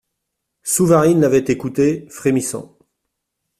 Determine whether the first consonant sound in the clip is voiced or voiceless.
voiceless